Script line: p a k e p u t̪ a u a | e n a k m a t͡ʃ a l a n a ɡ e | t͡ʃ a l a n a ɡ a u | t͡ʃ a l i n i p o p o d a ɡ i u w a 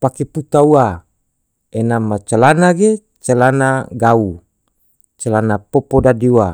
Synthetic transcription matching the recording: p a k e p u t̪ a u a | e n a m a t͡ʃ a l a n a ɡ e | t͡ʃ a l a n a ɡ a u | t͡ʃ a l a n a p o p o d a d i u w a

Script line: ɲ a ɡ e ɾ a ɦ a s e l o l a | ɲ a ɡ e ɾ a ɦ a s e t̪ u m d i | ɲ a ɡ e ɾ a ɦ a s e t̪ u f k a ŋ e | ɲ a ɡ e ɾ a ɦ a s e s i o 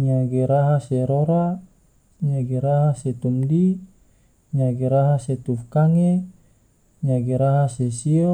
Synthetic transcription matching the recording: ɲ a ɡ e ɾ a ɦ a s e ɾ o ɾ a | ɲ a ɡ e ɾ a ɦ a s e t̪ u m d i | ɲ a ɡ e ɾ a ɦ a s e t̪ u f k a ŋ e | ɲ a ɡ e ɾ a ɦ a s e s i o

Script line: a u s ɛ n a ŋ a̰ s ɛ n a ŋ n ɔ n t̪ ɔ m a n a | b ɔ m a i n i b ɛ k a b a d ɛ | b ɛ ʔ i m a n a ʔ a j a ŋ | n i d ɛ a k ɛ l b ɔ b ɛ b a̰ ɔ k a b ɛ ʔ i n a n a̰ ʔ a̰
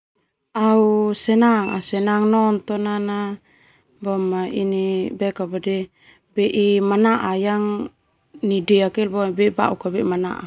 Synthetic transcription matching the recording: a u s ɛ n a ŋ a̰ s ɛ n a ŋ n ɔ n t̪ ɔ n a n a | b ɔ m a i n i b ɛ k a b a d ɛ | b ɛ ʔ i m a n a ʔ a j a ŋ | n i d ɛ a k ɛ l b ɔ b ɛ b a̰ u k a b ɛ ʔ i m a n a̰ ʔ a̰

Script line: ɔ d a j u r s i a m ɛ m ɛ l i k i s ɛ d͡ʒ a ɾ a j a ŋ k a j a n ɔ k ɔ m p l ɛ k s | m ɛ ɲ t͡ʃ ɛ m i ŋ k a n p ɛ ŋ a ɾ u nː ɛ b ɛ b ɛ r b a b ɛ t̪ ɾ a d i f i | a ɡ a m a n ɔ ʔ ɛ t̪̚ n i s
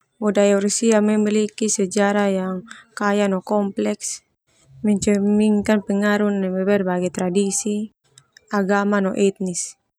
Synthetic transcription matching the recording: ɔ d a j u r s i a m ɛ m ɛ l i k i s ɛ d͡ʒ a ɾ a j a ŋ k a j a n ɔ k ɔ m p l ɛ k s | m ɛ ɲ t͡ʃ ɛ m i ŋ k a n p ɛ ŋ a ɾ u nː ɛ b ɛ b ɛ r b a ɡ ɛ t̪ ɾ a d i s i | a ɡ a m a n ɔ ʔ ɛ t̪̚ n i s

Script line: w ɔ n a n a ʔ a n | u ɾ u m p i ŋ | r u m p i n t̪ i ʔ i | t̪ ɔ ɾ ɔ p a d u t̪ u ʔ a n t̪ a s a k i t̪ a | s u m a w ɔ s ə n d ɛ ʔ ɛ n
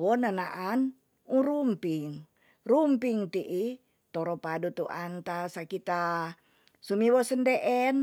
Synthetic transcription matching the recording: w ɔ n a n a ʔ a n | u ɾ u m p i ŋ | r u m p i ŋ t̪ i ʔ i | t̪ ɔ ɾ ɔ p a d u t̪ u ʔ a n t̪ a s a k i t̪ a | s u m i w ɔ s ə n d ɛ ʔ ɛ n

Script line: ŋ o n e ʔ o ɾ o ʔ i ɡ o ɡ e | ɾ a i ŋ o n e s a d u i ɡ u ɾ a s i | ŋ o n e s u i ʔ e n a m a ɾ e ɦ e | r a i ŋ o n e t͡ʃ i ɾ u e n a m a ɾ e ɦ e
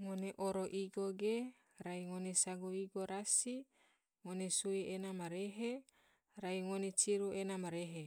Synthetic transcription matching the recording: ŋ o n e ʔ o ɾ o ʔ i ɡ o ɡ e | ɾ a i ŋ o n e s a ɡ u i ɡ o ɾ a s i | ŋ o n e s u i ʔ e n a m a ɾ e ɦ e | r a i ŋ o n e t͡ʃ i ɾ u e n a m a ɾ e ɦ e

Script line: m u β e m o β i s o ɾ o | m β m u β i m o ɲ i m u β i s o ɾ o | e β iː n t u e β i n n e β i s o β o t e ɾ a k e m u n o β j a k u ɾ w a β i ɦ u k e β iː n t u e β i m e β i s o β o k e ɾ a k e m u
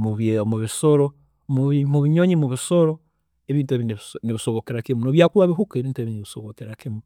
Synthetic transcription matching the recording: m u β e m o β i s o ɾ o | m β m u β i ɲ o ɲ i m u β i s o ɾ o | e β iː n t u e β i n n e β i s o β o k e ɾ a k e m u n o β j a k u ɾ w a β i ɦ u k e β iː n t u e β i n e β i s o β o k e ɾ a k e m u

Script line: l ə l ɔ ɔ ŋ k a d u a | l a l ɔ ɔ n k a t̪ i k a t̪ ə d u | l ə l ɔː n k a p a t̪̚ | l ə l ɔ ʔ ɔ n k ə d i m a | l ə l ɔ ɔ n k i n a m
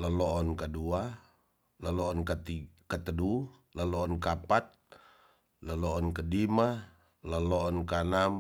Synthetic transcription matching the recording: l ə l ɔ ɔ n k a d u a | l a l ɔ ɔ n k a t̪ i k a t̪ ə d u | l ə l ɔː n k a p a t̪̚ | l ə l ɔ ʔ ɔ n k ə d i m a | l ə l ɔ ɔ n k a n a m

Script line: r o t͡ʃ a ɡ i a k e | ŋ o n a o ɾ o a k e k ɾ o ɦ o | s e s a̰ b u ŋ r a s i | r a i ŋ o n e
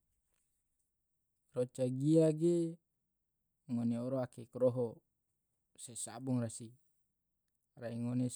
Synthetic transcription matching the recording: r o t͡ʃ a ɡ i a ɡ e | ŋ o n e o ɾ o a k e k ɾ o ɦ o | s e s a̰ b u ŋ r a s i | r a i ŋ o n e

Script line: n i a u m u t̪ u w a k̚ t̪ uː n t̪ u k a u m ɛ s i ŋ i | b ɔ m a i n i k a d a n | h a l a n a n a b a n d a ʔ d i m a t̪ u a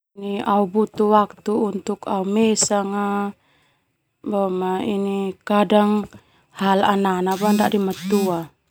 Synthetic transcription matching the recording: n i a u b u t̪ u w a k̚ t̪ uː n t̪ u k a u m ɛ s a ŋ a | b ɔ m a i n i k a d a ŋ | h a l a n a n a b a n d a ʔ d i m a t̪ u a

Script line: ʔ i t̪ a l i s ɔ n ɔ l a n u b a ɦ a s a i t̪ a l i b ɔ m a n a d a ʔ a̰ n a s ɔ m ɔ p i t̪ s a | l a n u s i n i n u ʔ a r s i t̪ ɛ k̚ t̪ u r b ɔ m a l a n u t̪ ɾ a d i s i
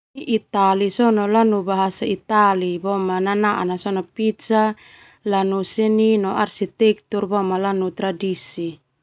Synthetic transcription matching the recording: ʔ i t̪ a l i s ɔ n ɔ l a n u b a ɦ a s a i t̪ a l i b ɔ m a n a n a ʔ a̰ n a s ɔ n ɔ p i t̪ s a | l a n u s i n i n ɔ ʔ a r s i t̪ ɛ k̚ t̪ u r b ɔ m a l a n u t̪ ɾ a d i s i

